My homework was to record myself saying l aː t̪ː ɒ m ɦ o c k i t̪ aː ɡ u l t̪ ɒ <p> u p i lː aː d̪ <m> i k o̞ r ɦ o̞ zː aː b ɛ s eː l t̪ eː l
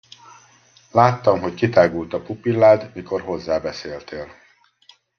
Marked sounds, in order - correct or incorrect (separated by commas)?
correct, correct